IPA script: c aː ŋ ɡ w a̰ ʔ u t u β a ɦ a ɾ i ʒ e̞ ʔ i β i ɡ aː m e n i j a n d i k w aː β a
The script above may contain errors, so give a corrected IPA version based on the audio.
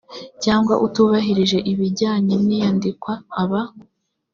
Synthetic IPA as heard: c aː ŋ ɡ w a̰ ʔ u t u β a ɦ i ɾ i ʒ e̞ ʔ i β i ɟ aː ɲ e n i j a n d i k w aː β a